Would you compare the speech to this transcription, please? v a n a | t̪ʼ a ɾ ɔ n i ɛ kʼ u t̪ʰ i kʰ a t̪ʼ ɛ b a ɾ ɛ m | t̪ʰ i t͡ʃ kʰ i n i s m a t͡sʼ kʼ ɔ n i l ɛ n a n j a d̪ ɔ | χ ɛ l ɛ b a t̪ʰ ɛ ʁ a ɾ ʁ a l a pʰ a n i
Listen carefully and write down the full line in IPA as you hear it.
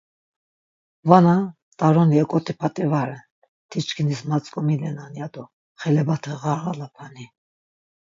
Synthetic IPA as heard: v a n a | t̪ʼ a ɾ ɔ n i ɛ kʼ ɔ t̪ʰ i pʰ a t̪ʼ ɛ v a ɾ ɛ n | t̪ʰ i t͡ʃ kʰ i n i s m a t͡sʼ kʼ ɔ m i l ɛ n a n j a d̪ ɔ | χ ɛ l ɛ b a t̪ʰ ɛ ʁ a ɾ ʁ a l a pʰ a n i

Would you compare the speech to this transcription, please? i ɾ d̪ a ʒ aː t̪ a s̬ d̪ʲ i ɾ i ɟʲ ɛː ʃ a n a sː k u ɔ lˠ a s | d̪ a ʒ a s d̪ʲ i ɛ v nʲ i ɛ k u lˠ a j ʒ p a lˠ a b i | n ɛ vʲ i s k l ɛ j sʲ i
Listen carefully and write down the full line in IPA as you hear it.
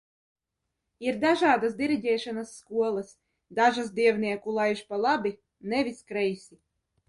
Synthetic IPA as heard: i ɾ d̪ a ʒ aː d̪ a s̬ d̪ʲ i ɾ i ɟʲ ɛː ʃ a n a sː k u ɔ lˠ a s | d̪ a ʒ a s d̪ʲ i ɛ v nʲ i ɛ k u lˠ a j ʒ p a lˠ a b i | n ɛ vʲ i s k ɾ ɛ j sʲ i

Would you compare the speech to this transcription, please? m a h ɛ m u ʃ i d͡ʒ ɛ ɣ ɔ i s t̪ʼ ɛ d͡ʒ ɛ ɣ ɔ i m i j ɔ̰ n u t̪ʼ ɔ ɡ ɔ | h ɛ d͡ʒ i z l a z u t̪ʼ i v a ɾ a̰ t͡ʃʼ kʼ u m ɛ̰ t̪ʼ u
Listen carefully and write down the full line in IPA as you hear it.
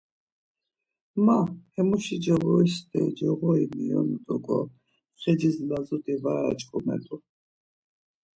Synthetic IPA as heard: m a h ɛ m u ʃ i d͡ʒ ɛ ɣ ɔ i s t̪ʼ ɛ d͡ʒ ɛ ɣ ɔ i m i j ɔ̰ n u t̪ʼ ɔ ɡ ɔ | χ ɛ d͡ʒ i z l a z u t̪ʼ i v a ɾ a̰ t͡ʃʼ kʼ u m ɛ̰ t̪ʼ u

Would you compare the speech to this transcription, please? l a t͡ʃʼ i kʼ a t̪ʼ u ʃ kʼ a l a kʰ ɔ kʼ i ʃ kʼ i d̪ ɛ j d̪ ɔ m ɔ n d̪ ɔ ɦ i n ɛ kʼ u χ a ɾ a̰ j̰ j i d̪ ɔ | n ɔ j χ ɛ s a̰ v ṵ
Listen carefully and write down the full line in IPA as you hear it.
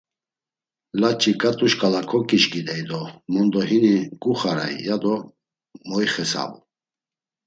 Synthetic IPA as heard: l a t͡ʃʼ i kʼ a t̪ʼ u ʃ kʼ a l a kʰ ɔ kʼ i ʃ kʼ i d̪ ɛ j d̪ ɔ m ɔ n d̪ ɔ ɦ i n i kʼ u χ a ɾ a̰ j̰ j a d̪ ɔ | m ɔ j χ ɛ s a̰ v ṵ

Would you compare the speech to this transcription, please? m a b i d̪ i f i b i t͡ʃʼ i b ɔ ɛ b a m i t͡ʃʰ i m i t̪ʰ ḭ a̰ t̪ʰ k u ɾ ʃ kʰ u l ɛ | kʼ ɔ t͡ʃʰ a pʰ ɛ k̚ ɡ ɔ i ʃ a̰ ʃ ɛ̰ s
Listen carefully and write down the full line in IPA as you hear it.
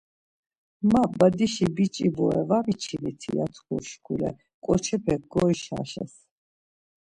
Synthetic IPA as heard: m a b a d̪ i ʃ i b i t͡ʃʼ i b ɔ ɛ v a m i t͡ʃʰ i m i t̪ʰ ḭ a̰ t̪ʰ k u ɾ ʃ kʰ u l ɛ | kʼ ɔ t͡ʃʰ ɛ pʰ ɛ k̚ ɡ ɔ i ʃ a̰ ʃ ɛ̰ s

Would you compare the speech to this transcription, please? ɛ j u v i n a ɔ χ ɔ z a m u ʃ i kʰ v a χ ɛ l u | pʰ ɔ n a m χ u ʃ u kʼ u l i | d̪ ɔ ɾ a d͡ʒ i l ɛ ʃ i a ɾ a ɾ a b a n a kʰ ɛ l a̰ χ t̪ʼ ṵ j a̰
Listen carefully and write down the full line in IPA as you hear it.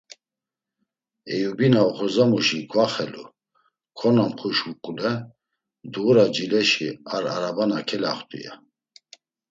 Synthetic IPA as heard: ɛ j u b i n a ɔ χ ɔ z a m u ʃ i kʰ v a χ ɛ l u | kʰ ɔ n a m χ u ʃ u kʼ u l ɛ | d̪ u ɾ a d͡ʒ i l ɛ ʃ i a ɾ a ɾ a b a n a kʰ ɛ l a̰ χ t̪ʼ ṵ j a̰

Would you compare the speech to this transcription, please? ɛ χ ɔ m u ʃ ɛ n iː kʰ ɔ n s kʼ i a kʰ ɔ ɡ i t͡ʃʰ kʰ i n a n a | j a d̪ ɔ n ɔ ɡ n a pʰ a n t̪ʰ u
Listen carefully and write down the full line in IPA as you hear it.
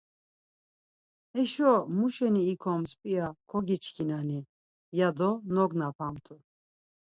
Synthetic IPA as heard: ɛ ʃ ɔ m u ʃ ɛ n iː kʰ ɔ m s pʼ i a kʰ ɔ ɡ i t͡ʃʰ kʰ i n a n i | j a d̪ ɔ n ɔ ɡ n a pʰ a m t̪ʰ u

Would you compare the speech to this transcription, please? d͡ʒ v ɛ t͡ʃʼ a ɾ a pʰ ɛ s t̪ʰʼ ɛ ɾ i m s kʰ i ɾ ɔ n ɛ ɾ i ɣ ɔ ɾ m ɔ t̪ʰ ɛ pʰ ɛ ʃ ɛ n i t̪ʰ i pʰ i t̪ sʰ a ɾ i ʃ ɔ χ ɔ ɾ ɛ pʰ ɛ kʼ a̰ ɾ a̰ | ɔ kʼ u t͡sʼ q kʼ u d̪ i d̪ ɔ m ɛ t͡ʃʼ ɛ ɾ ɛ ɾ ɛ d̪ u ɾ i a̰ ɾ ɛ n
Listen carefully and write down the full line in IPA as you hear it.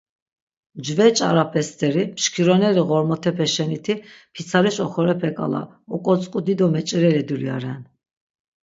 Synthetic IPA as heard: d͡ʒ v ɛ t͡ʃʼ a ɾ a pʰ ɛ s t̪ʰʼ ɛ ɾ i m ʃ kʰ i ɾ ɔ n ɛ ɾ i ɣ ɔ ɾ m ɔ t̪ʰ ɛ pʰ ɛ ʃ ɛ n i t̪ʰ i pʰ i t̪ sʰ a ɾ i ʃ ɔ χ ɔ ɾ ɛ pʰ ɛ kʼ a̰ l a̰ | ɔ kʼ ɔ t͡sʼ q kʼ u d̪ i d̪ ɔ m ɛ t͡ʃʼ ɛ ɾ ɛ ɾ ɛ d̪ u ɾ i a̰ ɾ ɛ n

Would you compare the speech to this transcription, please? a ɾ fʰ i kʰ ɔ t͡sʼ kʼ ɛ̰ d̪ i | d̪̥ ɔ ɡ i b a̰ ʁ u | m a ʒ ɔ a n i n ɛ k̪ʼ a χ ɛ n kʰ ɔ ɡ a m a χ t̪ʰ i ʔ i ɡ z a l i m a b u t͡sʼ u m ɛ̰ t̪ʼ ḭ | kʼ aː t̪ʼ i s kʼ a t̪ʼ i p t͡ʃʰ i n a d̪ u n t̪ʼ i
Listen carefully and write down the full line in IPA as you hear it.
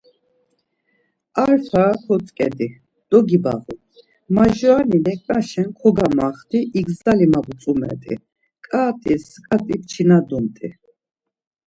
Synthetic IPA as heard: a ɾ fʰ a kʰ ɔ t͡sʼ kʼ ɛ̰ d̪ i | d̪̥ ɔ ɡ i b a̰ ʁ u | m a ʒ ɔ a n i n ɛ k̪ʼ a ʃ ɛ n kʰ ɔ ɡ a m a χ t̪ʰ i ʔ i ɡ z a l i m a b u t͡sʼ u m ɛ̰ t̪ʼ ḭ | kʼ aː t̪ʼ i s kʼ a t̪ʼ i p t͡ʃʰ i n a d̪ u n t̪ʼ i

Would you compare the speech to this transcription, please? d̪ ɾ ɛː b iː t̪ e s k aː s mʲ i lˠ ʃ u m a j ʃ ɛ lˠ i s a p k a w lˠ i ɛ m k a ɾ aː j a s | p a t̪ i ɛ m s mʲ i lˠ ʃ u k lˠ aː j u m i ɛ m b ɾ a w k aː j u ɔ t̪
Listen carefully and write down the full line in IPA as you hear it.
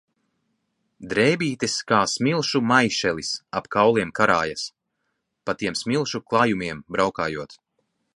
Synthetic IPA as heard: d̪ ɾ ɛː b iː t̪ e s k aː s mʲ i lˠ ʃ u m a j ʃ ɛ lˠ i s a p k a w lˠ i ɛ m k a ɾ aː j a s | p a t̪ i ɛ m s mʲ i lˠ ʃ u k lˠ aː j u m i ɛ m b ɾ a w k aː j u ɔ t̪

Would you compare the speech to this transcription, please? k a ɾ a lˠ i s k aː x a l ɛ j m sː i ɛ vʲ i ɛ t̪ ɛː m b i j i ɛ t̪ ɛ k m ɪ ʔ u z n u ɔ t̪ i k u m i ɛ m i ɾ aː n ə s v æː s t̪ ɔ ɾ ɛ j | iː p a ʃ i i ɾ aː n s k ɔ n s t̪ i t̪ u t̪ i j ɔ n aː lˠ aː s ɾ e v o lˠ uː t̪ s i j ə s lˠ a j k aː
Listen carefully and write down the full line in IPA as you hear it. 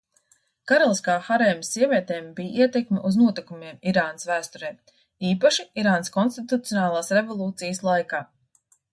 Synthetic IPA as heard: k a ɾ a lˠ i s k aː x a ɾ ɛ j m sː i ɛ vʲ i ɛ t̪ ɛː m b i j i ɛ t̪ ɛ k m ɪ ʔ u z n u ɔ t̪ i k u m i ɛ m i ɾ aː n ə s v æː s t̪ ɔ ɾ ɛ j | iː p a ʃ i i ɾ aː n s k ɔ n s t̪ i t̪ u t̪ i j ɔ n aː lˠ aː s ɾ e v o lˠ uː t̪ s i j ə s lˠ a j k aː

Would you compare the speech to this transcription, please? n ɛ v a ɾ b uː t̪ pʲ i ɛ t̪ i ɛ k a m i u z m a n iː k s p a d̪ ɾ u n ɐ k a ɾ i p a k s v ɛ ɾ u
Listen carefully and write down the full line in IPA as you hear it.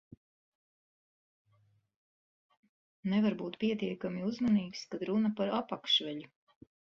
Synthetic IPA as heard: n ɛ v a ɾ b uː t̪ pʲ i ɛ t̪ i ɛ k a m i u z m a n iː k s k a d̪ ɾ u n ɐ p a ɾ a p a k ʃ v ɛ ʎ u

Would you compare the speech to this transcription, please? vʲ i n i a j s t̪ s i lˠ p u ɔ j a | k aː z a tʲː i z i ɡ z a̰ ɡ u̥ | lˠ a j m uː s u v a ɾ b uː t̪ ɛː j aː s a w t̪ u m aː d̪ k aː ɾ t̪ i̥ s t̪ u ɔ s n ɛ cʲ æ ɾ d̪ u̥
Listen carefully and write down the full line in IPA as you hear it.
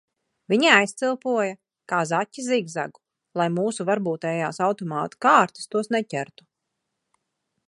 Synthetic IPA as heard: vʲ i ɲ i a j s t̪ s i lˠ p u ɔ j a | k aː z a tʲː i z i ɡ z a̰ ɡ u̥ | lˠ a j m uː s u v a ɾ b uː t̪ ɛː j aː s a w t̪ ɔ m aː t̪ k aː ɾ t̪ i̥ s t̪ u ɔ s n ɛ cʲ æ ɾ t̪ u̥

